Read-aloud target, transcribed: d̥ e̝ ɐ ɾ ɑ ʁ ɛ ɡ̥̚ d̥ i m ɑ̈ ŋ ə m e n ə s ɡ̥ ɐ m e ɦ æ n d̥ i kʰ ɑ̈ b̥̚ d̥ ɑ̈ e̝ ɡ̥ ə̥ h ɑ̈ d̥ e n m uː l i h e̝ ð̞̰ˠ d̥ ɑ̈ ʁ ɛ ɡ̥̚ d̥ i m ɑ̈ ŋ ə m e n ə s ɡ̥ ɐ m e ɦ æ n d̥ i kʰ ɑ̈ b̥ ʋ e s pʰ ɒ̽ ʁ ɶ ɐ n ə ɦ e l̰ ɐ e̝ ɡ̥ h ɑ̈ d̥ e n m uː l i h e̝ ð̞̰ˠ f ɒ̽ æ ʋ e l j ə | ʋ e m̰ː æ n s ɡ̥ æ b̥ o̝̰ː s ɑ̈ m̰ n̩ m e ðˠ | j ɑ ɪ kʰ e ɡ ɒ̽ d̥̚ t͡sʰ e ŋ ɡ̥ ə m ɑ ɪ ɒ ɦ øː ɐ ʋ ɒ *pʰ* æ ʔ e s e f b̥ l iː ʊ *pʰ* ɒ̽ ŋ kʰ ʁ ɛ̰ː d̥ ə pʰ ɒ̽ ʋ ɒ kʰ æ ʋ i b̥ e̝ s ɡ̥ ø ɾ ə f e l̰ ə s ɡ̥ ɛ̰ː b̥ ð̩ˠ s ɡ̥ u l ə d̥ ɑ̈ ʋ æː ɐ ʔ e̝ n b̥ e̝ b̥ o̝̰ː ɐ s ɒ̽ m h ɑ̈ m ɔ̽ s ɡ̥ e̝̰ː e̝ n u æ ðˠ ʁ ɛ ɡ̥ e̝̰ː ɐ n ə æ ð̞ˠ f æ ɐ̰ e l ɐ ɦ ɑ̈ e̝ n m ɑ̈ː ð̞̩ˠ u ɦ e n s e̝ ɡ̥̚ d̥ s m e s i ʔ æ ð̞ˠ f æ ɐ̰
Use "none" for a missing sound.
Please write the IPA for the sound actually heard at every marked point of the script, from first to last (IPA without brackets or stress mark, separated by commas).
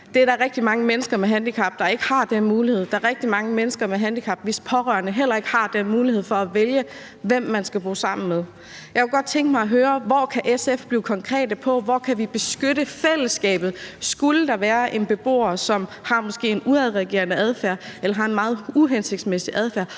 kʰ, kʰ